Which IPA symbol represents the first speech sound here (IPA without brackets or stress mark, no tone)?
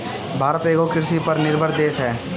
bʱ